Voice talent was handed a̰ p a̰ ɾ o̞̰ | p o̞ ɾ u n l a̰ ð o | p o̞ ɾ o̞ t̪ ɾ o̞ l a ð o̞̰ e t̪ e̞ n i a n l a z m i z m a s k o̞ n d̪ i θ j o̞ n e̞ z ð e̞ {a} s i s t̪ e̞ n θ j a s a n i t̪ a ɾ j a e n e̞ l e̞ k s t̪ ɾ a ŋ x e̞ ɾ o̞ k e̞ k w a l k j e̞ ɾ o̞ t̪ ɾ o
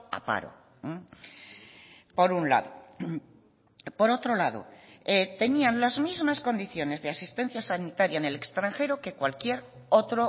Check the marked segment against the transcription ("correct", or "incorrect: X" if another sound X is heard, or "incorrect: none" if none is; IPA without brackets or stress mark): correct